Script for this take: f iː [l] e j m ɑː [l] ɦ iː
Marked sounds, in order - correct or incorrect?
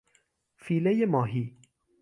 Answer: correct, incorrect: none

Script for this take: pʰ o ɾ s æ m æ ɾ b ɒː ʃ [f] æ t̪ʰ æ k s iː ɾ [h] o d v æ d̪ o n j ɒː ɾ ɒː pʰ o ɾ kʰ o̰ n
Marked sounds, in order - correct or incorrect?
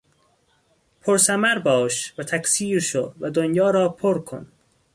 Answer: incorrect: v, incorrect: ʃ

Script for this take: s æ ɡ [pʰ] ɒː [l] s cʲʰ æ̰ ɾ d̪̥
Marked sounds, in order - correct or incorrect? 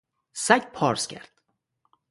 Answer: correct, incorrect: ɾ

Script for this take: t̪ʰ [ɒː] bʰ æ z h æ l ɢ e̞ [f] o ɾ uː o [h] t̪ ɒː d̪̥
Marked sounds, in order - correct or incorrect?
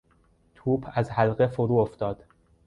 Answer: incorrect: uː, correct, incorrect: f

